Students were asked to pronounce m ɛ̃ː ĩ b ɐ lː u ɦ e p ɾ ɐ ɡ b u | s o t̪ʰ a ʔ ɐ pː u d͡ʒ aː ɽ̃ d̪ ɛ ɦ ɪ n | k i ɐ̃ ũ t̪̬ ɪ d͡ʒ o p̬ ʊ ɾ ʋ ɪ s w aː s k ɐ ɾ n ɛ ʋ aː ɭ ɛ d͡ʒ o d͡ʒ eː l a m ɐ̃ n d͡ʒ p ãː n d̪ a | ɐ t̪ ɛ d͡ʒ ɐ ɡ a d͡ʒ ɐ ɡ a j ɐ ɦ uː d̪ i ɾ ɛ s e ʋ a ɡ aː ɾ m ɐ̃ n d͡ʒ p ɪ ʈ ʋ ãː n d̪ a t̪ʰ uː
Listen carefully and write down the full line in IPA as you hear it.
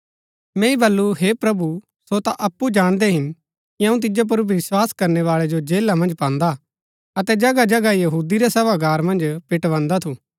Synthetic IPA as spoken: m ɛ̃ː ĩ b ɐ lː u ɦ e p ɾ ɐ b u | s o t̪ a ʔ ɐ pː u d͡ʒ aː ɽ̃ d̪ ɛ ɦ ɪ n | k i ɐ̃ ũ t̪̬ ɪ d͡ʒ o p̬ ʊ ɾ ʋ ɪ s w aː s k ɐ ɾ n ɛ ʋ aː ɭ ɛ d͡ʒ o d͡ʒ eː l a m ɐ̃ n d͡ʒ p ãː n d̪ a | ɐ t̪ ɛ d͡ʒ ɐ ɡ a d͡ʒ ɐ ɡ a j ɐ ɦ uː d̪ i ɾ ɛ s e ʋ a ɡ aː ɾ m ɐ̃ n d͡ʒ p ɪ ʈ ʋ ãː n d̪ a t̪ʰ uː

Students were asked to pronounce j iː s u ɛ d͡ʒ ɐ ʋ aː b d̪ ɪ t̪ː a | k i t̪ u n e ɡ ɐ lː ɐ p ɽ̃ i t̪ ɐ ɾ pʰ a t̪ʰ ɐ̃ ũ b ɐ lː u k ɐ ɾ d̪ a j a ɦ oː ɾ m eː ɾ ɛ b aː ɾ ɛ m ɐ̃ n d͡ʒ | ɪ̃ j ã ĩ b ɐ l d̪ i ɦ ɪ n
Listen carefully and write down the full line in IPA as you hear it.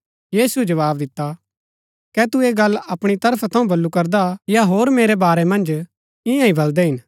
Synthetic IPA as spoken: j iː s u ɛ d͡ʒ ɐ ʋ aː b d̪ ɪ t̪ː a | k ɛ t̪ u e ɡ ɐ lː ɐ p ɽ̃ i t̪ ɐ ɾ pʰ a t̪ʰ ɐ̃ ũ b ɐ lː u k ɐ ɾ d̪ a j a ɦ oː ɾ m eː ɾ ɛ b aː ɾ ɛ m ɐ̃ n d͡ʒ | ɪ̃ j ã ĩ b ɐ l d̪ ɛ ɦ ɪ n

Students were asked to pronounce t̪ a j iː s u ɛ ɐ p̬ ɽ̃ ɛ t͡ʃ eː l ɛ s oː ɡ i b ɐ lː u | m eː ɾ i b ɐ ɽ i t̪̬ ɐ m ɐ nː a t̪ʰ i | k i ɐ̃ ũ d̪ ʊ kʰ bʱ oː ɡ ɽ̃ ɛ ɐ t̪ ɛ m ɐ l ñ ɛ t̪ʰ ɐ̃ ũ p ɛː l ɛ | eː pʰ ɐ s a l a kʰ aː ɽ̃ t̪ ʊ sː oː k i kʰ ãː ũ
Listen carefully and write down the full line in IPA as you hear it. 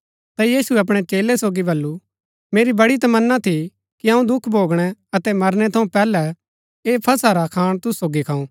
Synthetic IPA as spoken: t̪ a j iː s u ɛ ɐ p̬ ɽ̃ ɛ t͡ʃ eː l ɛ s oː ɡ i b ɐ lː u | m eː ɾ i b ɐ ɽ i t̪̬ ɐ m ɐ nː a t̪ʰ i | k i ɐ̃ ũ d̪ ʊ kʰ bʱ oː ɡ ɽ̃ ɛ ɐ t̪ ɛ m ɐ ɾ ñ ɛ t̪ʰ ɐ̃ ũ p ɛː l ɛ | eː pʰ ɐ s a ɾ a kʰ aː ɽ̃ t̪ ʊ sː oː ɡ i kʰ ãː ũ

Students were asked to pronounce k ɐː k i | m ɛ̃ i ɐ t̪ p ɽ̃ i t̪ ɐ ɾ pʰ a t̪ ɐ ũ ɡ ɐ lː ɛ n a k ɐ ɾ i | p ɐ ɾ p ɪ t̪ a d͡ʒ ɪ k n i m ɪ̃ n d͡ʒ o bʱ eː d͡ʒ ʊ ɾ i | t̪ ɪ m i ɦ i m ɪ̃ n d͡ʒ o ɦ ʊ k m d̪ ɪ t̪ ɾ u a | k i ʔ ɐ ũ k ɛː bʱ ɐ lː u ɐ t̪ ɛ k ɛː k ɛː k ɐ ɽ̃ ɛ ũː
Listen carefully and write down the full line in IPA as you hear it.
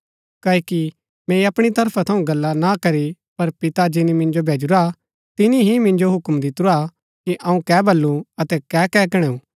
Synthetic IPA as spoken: k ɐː k i | m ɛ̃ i ɐ p ɽ̃ i t̪ ɐ ɾ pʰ a t̪ʰ ɐ ũ ɡ ɐ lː a n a k ɐ ɾ i | p ɐ ɾ p ɪ t̪ a d͡ʒ ɪ n i m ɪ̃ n d͡ʒ o bʱ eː d͡ʒ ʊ ɾ a | t̪ ɪ n i ɦ i m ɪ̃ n d͡ʒ o ɦ ʊ k m d̪ ɪ t̪ ɾ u a | k i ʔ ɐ ũ k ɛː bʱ ɐ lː u ɐ t̪ ɛ k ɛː k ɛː k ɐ ɽ̃ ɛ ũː

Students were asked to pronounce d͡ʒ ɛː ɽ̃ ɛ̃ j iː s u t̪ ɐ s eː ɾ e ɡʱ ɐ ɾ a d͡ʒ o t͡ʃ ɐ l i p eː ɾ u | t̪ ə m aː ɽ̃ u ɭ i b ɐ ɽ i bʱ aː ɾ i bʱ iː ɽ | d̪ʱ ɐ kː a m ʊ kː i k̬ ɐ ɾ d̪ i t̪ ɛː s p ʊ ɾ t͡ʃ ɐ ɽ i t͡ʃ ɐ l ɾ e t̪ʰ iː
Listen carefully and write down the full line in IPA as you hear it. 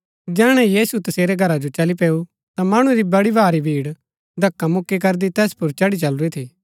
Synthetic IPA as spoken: d͡ʒ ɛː ɽ̃ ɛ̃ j iː s u t̪ ɐ s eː ɾ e ɡʱ ɐ ɾ a d͡ʒ o t͡ʃ ɐ l i p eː u | t̪ a m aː ɽ̃ u ɾ i b ɐ ɽ i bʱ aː ɾ i bʱ iː ɽ | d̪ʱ ɐ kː a m ʊ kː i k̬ ɐ ɾ d̪ i t̪ ɛː s p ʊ ɾ t͡ʃ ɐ ɽ i t͡ʃ ɐ l ɾ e t̪ʰ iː

